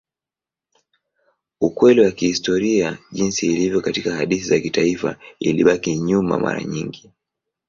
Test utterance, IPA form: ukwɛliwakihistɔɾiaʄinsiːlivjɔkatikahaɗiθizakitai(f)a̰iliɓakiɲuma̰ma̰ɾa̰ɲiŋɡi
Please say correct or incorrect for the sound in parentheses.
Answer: correct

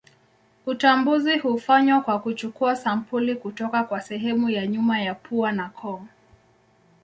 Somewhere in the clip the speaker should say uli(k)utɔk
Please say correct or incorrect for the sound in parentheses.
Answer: correct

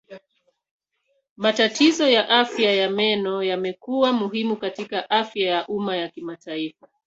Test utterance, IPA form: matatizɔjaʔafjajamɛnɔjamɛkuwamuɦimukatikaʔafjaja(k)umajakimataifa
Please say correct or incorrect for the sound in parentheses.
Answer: incorrect: ʔ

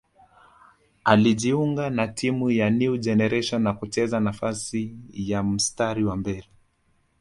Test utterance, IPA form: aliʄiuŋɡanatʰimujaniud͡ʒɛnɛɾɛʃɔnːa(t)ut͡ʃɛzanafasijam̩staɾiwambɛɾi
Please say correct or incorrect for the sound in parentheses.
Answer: incorrect: k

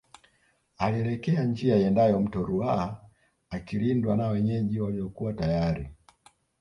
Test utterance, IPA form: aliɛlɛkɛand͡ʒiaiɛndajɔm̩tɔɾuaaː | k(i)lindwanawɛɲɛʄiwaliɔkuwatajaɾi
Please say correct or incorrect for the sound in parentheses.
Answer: correct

